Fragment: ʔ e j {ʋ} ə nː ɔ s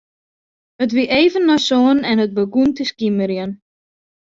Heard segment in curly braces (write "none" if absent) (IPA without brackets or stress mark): v